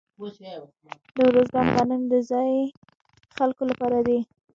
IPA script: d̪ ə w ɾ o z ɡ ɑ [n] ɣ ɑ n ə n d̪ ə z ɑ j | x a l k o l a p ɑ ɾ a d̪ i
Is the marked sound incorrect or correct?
correct